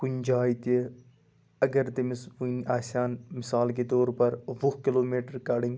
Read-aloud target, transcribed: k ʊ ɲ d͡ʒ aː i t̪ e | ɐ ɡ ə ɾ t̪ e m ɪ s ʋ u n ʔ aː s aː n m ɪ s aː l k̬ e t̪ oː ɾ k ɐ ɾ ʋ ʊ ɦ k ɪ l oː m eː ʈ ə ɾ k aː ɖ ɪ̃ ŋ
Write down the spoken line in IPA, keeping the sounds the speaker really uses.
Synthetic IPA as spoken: k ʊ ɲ d͡ʒ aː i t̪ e | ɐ ɡ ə ɾ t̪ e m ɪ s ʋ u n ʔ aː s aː n m ɪ s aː l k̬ e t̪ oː ɾ p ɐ ɾ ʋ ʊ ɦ k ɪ l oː m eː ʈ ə ɾ k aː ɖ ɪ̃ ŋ